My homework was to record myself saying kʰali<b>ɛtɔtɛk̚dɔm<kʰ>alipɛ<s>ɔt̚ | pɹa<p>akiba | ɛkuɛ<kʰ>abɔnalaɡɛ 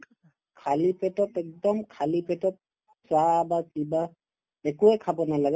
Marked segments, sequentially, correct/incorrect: incorrect, correct, incorrect, incorrect, correct

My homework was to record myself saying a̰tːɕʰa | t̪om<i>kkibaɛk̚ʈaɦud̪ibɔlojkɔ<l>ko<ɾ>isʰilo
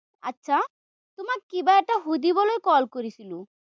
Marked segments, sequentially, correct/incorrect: incorrect, correct, correct

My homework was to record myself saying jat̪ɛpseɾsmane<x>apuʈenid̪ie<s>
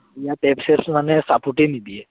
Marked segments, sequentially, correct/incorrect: incorrect, incorrect

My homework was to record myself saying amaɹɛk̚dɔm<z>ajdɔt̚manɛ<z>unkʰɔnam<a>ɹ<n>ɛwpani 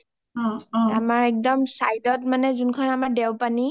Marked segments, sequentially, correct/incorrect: incorrect, correct, correct, incorrect

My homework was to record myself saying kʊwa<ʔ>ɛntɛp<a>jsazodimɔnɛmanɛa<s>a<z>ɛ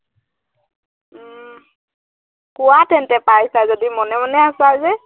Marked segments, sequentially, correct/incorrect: incorrect, correct, correct, correct

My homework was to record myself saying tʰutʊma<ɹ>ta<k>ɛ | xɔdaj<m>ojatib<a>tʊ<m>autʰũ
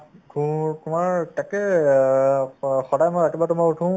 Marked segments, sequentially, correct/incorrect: correct, correct, correct, correct, correct

